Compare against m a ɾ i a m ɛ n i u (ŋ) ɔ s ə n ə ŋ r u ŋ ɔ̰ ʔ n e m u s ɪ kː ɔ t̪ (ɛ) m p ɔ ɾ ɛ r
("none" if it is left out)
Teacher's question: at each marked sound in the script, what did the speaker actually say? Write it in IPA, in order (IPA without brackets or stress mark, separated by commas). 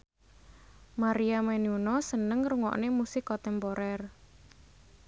n, ɛ